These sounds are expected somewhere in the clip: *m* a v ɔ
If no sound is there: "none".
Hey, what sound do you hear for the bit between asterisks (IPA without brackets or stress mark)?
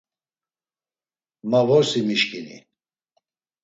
m